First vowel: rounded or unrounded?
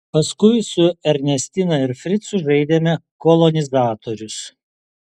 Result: unrounded